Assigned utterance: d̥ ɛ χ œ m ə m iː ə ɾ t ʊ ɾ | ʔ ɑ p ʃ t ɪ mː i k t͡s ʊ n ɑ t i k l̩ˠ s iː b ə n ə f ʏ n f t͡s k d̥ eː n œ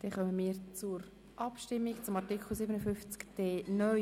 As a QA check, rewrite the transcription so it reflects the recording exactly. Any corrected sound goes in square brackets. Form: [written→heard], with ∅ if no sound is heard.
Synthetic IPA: d̥ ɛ χ œ m ə m iː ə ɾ [t→t͡s] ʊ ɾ | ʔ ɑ p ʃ t ɪ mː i k t͡s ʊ [n→m] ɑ t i k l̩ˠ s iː b ə n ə f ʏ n f t͡s k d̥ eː n œ